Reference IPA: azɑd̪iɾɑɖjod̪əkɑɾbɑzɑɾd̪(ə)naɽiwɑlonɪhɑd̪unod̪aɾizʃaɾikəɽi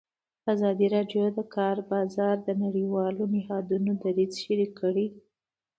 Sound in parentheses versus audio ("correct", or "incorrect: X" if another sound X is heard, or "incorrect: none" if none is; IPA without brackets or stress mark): correct